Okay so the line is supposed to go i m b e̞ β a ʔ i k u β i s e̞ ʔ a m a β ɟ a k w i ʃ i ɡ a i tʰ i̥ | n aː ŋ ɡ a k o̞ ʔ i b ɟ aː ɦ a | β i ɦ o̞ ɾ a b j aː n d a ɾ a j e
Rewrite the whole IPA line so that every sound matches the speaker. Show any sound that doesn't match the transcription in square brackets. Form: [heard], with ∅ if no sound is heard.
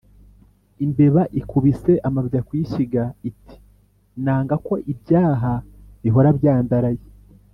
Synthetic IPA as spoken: i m b e̞ β a ʔ i k u β i s e̞ ʔ a m a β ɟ a k w i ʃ i ɡ a i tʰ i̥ | n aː ŋ ɡ a k o̞ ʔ i b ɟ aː ɦ a | β i ɦ o̞ ɾ a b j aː n d a ɾ a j e